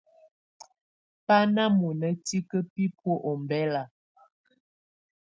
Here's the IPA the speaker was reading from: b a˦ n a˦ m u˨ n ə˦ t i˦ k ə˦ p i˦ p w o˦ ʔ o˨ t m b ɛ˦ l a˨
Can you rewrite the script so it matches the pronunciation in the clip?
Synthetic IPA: p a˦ n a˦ m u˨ n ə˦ t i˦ k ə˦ p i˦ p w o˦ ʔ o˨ m b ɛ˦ l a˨

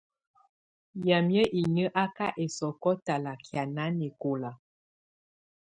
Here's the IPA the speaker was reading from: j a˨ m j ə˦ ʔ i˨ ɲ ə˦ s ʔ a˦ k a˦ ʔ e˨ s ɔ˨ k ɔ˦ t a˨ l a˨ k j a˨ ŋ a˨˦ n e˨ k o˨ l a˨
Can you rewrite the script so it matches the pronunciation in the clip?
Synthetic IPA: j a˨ m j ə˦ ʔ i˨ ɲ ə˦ ʔ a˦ k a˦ ʔ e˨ s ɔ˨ k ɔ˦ t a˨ l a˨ k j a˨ n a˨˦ n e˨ k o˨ l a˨

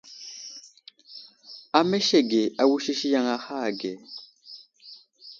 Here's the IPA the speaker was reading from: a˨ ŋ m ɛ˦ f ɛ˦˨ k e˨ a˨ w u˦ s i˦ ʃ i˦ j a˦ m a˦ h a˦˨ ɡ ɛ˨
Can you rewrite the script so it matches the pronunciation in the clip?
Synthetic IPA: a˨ m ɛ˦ ʃ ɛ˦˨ ɡ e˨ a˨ w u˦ ʃ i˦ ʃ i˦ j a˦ ŋ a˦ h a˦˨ ɡ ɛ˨

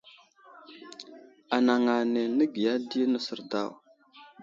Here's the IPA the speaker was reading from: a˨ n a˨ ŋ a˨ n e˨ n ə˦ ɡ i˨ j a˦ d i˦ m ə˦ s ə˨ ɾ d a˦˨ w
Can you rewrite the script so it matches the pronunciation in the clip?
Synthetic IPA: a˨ n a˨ ŋ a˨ n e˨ n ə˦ ɡ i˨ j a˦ d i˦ n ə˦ s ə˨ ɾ d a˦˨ w

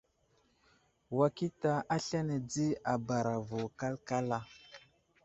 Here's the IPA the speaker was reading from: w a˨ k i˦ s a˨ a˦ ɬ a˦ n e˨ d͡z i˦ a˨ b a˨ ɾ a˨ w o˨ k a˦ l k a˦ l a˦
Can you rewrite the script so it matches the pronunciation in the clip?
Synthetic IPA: w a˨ k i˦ t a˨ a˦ ɬ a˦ n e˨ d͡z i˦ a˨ b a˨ ɾ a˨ v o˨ k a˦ l k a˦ l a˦

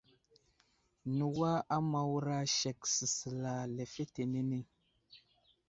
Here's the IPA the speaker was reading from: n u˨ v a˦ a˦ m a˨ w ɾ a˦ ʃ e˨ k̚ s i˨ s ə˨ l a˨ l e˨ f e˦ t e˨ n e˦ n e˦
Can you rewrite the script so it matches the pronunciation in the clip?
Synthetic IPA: n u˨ w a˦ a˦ m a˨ w ɾ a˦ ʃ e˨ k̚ s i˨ s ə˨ l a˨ l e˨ f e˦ t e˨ n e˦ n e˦

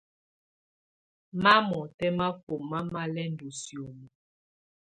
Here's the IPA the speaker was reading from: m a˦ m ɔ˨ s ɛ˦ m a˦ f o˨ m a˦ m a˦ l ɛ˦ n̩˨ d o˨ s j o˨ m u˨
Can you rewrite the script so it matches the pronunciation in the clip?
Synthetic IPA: m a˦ m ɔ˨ t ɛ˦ m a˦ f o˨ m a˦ m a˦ l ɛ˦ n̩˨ d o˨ s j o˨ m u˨

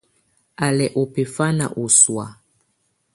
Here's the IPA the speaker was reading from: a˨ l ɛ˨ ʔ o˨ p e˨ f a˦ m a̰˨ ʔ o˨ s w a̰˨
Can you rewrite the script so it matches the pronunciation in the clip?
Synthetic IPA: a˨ l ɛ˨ ʔ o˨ p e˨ f a˦ n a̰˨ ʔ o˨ s w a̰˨

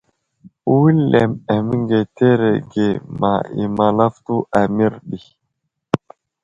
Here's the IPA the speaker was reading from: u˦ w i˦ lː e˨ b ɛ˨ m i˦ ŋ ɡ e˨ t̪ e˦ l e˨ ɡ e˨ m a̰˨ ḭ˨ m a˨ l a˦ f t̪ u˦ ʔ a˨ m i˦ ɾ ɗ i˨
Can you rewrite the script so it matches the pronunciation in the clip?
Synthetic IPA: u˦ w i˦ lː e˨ m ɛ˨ m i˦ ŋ ɡ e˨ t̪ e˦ ɾ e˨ ɡ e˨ m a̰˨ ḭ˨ m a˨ l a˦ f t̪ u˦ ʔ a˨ m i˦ ɾ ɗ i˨

